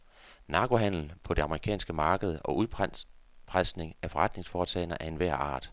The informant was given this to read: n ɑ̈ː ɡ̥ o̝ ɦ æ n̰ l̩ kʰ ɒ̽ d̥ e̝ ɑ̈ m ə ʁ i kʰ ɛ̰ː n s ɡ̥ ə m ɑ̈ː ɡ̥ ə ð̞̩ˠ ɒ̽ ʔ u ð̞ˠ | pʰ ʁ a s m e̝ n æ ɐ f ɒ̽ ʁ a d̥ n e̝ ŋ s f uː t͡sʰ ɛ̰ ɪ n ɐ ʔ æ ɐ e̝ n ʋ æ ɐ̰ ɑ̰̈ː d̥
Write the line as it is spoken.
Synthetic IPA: n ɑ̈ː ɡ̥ o̝ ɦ æ n̰ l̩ pʰ ɒ̽ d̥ e̝ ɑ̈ m ə ʁ i kʰ ɛ̰ː n s ɡ̥ ə m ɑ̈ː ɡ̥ ə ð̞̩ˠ ɒ̽ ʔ u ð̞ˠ | pʰ ʁ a s n e̝ ŋ æ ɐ f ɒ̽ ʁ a d̥ n e̝ ŋ s f ɒː t͡sʰ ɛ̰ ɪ n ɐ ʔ æ ɐ e̝ n ʋ æ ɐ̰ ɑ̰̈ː d̥